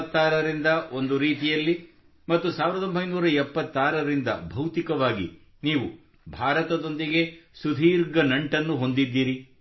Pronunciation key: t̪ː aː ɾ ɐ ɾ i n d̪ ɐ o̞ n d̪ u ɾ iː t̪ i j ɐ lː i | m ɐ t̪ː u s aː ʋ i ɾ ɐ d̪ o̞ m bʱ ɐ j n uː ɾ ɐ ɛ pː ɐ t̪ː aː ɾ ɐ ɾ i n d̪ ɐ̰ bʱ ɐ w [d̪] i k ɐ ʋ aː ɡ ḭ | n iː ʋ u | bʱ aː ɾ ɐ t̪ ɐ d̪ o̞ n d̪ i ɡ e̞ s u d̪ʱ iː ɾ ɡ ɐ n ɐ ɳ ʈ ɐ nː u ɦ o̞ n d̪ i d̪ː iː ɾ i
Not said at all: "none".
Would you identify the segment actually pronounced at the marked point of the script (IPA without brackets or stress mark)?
t̪